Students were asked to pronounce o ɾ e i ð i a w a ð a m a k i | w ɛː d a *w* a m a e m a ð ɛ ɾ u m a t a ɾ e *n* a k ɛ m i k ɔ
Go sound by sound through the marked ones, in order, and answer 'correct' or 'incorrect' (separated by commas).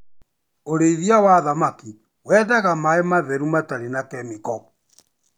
incorrect, correct